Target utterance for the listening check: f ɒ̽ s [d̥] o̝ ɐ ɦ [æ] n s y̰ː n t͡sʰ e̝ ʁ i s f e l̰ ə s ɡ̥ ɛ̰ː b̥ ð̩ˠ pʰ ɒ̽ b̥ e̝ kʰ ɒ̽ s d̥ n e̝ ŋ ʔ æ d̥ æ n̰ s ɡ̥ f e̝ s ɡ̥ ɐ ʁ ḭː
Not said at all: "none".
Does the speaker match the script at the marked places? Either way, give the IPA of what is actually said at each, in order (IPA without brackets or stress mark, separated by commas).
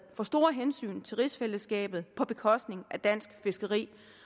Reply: d̥, e